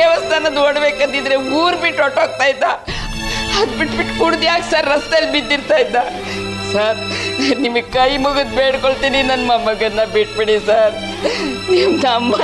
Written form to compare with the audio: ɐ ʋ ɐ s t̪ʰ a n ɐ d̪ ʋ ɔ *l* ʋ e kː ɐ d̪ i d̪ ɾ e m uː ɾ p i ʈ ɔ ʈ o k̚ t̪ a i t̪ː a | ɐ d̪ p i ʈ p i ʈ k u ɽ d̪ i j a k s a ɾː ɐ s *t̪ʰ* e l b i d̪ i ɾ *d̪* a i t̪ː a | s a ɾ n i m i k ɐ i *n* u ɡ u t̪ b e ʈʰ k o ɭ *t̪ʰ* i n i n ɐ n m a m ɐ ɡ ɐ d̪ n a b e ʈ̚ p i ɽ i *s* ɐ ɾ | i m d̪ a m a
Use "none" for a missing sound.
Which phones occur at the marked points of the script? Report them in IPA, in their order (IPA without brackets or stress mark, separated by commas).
ɽ, t̪, t̪, m, t̪, s